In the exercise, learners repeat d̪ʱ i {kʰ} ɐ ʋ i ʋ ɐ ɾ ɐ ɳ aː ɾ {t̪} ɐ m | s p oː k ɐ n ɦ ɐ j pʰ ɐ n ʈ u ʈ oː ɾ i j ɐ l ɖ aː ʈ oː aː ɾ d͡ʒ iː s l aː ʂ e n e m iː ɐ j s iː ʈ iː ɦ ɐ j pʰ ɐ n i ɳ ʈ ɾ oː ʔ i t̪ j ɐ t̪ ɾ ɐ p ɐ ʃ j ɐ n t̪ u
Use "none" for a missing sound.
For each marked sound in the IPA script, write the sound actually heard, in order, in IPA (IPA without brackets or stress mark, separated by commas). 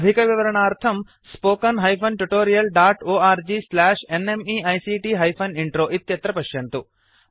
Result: k, t̪ʰ